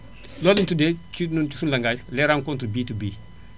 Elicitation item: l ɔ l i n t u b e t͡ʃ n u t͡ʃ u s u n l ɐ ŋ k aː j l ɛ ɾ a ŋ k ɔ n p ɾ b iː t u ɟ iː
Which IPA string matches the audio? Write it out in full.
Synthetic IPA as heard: l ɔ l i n t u d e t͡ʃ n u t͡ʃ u s u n l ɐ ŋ ɡ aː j l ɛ ɾ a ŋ k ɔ n t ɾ b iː t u b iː